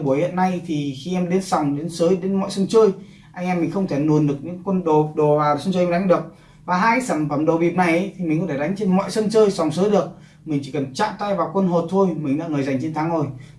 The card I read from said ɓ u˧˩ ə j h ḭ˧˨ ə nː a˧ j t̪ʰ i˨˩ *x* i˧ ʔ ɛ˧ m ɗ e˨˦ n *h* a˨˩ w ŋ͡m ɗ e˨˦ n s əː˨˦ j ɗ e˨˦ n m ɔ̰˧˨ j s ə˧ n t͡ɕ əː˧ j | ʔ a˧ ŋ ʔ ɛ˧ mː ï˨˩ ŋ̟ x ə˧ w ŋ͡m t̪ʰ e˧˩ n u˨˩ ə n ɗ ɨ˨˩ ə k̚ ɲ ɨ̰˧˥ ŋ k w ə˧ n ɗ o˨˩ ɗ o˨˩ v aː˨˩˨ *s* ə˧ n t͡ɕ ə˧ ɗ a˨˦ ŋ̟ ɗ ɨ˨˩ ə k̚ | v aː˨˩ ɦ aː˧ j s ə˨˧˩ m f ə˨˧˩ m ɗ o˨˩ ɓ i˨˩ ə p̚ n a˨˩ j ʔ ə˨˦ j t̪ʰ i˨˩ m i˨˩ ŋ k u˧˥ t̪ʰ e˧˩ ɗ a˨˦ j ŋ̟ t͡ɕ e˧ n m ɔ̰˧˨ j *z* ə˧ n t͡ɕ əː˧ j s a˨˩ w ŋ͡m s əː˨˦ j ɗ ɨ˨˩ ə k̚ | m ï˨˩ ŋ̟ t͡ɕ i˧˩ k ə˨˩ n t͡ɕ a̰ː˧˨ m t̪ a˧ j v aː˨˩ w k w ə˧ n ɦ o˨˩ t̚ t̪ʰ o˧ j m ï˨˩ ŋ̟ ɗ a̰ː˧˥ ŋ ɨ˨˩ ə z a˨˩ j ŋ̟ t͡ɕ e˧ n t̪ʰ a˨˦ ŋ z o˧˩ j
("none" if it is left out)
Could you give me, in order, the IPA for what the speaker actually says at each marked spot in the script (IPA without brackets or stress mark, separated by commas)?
x, s, s, s